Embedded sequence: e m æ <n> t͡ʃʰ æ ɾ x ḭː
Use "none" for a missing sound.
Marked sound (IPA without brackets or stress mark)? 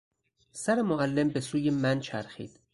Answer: n